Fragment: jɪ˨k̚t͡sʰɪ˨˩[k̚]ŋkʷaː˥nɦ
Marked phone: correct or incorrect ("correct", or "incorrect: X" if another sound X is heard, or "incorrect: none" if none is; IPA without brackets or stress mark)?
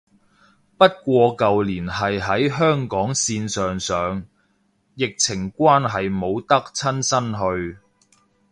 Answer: incorrect: none